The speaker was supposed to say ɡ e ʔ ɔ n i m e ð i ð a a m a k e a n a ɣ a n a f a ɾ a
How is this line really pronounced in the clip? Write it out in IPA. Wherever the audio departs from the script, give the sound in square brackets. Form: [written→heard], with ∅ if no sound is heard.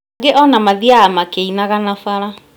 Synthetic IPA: ɡ e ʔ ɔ n [i→a] m [e→a] ð i [ð→∅] a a m a k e [a→i] n a ɣ a n a f a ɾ a